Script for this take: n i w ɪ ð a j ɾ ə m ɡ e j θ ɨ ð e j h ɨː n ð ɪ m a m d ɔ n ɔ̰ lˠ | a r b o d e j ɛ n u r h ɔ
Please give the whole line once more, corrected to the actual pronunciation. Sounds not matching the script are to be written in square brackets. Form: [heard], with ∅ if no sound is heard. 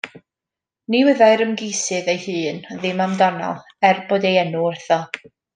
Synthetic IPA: n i w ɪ ð a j ɾ ə m ɡ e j [s] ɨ ð e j h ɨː n ð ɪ m a m d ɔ n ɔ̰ lˠ | [ɛ] r b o d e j ɛ n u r [θ] ɔ